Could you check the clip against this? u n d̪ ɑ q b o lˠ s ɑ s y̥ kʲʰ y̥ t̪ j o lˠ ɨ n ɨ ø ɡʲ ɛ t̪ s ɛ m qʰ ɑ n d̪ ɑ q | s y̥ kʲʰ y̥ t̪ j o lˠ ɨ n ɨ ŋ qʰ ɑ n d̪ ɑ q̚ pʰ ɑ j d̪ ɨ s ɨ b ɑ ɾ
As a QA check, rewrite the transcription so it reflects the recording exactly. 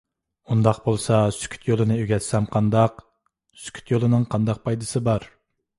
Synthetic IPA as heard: u n d̪ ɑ q b o lˠ s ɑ s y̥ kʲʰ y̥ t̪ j o lˠ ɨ n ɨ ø ɡʲ ɛ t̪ s ɛ m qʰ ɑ n d̪ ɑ q | s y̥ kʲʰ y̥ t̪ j o lˠ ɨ n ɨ ŋ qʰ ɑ n d̪ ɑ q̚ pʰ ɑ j d̪ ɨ s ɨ b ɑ ɾ

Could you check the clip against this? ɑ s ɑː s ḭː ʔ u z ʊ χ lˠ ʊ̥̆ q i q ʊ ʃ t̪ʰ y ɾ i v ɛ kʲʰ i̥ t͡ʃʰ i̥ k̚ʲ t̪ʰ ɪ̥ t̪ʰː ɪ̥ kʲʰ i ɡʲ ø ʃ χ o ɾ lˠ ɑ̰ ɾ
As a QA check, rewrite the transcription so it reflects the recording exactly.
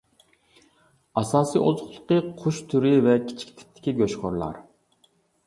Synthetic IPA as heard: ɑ s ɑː s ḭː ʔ o z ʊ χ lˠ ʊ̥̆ q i qʰ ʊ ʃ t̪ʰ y ɾ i v ɛ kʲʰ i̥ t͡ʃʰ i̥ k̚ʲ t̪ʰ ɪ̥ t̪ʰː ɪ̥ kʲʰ i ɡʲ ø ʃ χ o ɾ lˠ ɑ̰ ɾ

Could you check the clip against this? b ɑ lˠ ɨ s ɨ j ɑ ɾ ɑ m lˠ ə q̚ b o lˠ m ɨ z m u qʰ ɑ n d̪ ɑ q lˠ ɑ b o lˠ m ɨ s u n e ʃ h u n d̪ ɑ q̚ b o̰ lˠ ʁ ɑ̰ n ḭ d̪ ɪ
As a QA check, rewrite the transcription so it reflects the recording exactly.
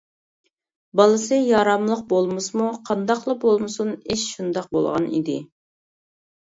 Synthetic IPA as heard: b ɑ lˠ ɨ s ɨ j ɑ ɾ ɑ m lˠ ə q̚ b o lˠ m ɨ s m u qʰ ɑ n d̪ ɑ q lˠ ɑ b o lˠ m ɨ s u n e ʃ ʃ u n d̪ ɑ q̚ b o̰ lˠ ʁ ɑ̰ n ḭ d̪ ɪ

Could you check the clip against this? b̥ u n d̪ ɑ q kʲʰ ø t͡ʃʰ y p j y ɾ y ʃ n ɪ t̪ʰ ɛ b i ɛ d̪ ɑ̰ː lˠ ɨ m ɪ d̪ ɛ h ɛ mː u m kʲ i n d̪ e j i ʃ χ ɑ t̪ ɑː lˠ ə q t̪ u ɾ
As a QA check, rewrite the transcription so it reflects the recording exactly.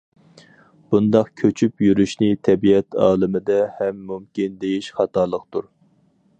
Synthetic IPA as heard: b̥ u n d̪ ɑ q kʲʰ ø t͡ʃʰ y p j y ɾ y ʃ n ɪ t̪ʰ ɛ b i ɛ t̪ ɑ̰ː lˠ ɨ m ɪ d̪ ɛ h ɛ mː u m kʲ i n d̪ e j i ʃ χ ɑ t̪ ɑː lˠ ə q t̪ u ɾ

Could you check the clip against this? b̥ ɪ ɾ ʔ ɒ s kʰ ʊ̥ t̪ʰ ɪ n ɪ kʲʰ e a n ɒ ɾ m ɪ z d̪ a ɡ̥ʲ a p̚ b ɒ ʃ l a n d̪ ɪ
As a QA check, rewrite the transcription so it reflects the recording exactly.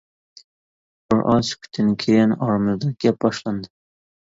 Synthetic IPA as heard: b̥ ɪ ɾ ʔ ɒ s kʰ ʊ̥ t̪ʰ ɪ n ɪ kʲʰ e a n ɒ ɾ m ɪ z d̪ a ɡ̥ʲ a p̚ b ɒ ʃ l a n d̪ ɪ

